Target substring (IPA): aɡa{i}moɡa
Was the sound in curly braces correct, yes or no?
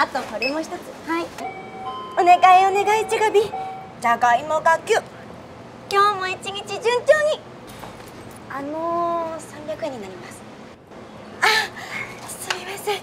yes